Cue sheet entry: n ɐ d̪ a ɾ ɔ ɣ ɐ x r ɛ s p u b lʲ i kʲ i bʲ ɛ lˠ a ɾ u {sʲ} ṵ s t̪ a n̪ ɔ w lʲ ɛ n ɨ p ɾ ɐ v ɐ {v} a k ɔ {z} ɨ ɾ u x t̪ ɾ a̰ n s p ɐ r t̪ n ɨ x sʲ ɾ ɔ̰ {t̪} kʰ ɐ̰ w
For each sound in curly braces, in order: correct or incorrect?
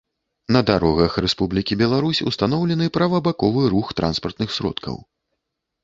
correct, incorrect, incorrect, correct

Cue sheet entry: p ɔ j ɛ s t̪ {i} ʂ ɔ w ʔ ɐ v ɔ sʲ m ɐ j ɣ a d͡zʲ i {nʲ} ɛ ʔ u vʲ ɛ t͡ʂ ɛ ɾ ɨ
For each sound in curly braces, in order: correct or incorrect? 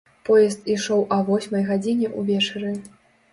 correct, correct

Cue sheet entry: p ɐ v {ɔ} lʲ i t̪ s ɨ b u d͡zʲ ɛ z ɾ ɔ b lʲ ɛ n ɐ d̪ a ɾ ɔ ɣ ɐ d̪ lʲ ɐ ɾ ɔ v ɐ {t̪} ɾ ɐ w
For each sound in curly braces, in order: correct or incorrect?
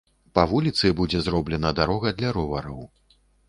incorrect, incorrect

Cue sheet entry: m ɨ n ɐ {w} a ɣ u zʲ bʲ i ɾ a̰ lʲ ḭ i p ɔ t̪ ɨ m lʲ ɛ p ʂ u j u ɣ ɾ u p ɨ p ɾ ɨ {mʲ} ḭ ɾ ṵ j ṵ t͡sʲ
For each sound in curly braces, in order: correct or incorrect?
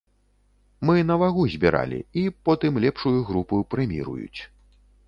incorrect, correct

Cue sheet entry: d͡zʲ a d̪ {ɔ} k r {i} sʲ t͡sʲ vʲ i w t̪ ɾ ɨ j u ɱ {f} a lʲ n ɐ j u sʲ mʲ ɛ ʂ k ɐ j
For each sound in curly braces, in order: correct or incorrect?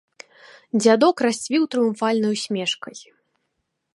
correct, incorrect, correct

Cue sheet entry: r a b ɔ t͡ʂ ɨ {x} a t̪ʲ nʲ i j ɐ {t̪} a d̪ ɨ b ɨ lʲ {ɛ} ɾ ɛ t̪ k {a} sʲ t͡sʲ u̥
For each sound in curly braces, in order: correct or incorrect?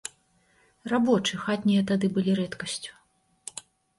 correct, correct, incorrect, incorrect

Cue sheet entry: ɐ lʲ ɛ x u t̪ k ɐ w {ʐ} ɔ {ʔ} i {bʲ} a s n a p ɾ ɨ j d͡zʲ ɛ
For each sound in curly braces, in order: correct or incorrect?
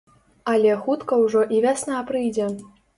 correct, correct, incorrect

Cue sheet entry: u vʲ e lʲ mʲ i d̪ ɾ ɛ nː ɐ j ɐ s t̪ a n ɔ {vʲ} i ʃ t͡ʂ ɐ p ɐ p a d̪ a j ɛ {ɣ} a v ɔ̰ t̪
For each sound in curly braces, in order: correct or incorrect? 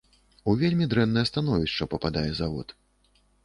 correct, incorrect

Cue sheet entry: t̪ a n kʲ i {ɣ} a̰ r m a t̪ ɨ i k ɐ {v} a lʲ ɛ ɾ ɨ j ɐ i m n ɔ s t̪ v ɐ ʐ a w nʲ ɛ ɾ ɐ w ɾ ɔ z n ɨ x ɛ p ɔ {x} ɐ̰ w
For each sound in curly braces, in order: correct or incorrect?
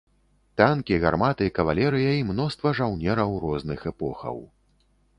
correct, correct, correct

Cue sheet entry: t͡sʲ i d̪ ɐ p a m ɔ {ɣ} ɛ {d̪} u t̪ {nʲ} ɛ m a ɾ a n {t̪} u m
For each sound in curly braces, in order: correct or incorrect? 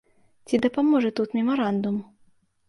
incorrect, incorrect, incorrect, incorrect

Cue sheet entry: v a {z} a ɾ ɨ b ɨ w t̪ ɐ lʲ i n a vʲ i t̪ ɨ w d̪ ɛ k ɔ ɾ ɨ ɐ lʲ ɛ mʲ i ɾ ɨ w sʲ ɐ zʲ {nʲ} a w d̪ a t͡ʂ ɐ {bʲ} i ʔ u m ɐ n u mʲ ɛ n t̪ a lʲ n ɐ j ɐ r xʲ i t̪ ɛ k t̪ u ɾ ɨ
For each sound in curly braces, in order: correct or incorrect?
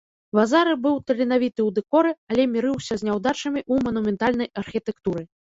correct, correct, incorrect

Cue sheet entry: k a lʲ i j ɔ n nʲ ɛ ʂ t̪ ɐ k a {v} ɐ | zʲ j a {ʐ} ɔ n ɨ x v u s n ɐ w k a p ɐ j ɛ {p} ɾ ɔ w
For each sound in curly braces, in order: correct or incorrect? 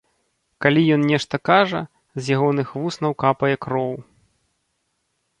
incorrect, incorrect, incorrect

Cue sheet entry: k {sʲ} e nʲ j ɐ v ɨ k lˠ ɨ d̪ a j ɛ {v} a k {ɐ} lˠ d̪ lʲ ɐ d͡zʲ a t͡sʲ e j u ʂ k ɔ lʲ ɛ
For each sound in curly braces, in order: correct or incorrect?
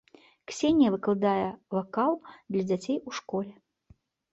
correct, correct, incorrect

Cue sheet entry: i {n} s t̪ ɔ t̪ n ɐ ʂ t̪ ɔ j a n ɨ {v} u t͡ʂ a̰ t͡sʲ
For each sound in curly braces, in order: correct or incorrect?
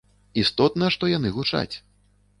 incorrect, incorrect

